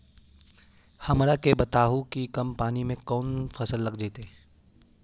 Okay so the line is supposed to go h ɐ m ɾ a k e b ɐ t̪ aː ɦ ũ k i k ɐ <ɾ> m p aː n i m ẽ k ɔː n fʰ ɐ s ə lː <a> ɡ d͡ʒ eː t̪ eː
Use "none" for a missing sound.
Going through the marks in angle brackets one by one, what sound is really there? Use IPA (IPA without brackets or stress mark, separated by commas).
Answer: none, ɐ